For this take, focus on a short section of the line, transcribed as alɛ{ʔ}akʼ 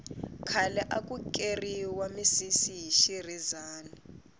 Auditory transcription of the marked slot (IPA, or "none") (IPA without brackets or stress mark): ʔ